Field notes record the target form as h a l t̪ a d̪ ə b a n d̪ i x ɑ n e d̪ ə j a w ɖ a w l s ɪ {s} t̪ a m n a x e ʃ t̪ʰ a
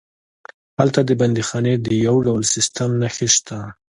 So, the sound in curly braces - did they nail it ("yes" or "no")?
yes